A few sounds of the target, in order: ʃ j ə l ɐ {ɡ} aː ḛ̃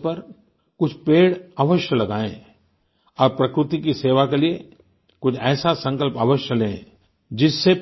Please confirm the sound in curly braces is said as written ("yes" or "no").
yes